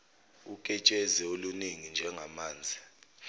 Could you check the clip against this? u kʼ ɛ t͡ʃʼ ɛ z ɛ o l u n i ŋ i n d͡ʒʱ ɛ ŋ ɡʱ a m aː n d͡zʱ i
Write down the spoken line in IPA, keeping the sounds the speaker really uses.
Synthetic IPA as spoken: u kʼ ɛ t͡ʃʼ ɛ z ɛ o l u n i ŋ i n d͡ʒʱ ɛ ŋ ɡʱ a m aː n d͡zʱ i